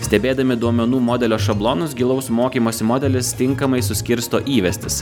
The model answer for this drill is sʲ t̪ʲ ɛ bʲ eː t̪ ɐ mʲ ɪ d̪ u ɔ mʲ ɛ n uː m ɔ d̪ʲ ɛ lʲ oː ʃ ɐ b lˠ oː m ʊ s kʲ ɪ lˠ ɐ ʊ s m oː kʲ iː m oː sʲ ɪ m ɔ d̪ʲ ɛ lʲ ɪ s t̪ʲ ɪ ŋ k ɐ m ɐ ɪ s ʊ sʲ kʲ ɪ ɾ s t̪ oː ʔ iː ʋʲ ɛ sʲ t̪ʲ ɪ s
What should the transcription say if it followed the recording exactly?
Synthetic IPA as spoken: sʲ t̪ʲ ɛ bʲ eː d̪ ɐ mʲ ɪ d̪ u ɔ mʲ ɛ n uː m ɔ d̪ʲ ɛ lʲ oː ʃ ɐ b lˠ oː n ʊ s ɡʲ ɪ lˠ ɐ ʊ s m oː kʲ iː m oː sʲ ɪ m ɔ d̪ʲ ɛ lʲ ɪ s t̪ʲ ɪ ŋ k ɐ m ɐ ɪ s ʊ sʲ kʲ ɪ ɾ s t̪ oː ʔ iː ʋʲ ɛ sʲ t̪ʲ ɪ s